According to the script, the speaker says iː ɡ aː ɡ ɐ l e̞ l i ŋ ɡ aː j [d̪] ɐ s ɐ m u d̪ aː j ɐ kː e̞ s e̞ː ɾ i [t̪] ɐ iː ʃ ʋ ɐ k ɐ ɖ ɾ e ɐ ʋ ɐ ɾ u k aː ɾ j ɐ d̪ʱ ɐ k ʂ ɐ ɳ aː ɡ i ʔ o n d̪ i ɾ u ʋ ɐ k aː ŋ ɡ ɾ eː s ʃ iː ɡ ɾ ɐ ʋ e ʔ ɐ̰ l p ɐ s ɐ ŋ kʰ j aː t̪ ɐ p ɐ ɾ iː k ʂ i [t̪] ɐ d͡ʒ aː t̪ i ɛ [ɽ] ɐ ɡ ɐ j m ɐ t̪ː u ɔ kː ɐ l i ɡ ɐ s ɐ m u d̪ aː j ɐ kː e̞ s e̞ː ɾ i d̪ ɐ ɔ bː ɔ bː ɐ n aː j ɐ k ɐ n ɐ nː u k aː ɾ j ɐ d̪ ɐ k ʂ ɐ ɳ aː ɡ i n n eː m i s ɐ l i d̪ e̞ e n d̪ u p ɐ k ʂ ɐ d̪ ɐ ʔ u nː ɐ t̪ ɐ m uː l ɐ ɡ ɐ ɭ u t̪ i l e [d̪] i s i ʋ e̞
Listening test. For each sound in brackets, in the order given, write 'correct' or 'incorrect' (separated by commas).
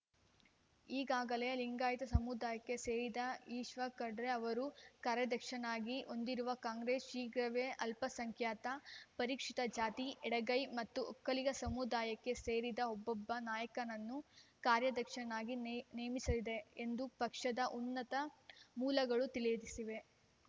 incorrect, incorrect, correct, correct, correct